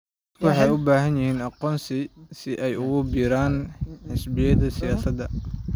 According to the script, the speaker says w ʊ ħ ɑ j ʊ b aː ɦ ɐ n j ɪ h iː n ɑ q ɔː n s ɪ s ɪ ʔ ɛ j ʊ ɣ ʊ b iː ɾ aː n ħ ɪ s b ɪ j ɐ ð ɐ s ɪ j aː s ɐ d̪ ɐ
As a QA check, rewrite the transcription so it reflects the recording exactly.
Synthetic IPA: w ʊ ħ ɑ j ʊ b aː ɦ ɐ n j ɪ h iː n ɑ q ɔː n s ɪ s ɪ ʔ ɛ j ʊ ɣ ʊ b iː ɾ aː n ħ ɪ s b ɪ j ɐ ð ɐ s ɪ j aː s ɐ d̪ ɐ